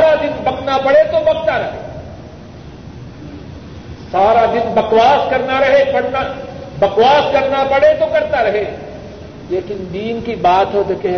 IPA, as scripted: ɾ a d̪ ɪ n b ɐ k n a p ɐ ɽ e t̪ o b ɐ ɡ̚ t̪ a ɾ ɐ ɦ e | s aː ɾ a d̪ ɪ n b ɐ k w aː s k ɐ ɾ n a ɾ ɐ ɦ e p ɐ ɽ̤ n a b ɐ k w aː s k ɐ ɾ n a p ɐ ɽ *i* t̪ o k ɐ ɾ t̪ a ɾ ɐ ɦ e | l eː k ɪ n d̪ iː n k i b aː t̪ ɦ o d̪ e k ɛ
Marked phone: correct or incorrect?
incorrect